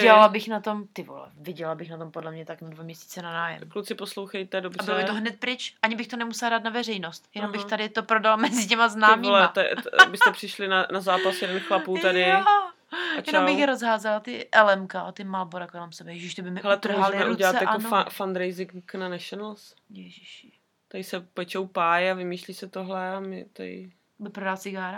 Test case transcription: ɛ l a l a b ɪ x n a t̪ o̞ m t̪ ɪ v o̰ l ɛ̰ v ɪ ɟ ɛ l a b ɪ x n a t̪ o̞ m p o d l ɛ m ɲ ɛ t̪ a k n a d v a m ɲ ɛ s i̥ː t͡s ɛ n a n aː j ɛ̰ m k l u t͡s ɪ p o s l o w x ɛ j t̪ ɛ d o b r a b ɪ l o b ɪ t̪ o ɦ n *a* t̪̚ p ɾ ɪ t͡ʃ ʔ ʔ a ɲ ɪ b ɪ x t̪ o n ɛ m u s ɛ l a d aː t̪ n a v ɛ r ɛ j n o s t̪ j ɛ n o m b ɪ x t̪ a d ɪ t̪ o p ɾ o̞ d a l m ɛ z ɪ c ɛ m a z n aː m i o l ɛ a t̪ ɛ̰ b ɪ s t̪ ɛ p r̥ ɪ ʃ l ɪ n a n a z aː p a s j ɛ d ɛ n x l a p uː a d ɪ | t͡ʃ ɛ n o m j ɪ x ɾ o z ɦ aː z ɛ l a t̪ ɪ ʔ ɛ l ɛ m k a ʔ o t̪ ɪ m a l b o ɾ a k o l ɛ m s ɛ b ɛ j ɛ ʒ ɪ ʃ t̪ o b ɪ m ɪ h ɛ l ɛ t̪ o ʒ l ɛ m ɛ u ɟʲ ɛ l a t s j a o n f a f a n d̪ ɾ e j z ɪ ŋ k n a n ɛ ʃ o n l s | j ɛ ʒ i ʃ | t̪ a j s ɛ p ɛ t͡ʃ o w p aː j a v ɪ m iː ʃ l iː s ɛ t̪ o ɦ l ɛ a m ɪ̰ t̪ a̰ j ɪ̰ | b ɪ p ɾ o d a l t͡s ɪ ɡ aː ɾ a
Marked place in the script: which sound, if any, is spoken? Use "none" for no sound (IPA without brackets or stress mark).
ɛ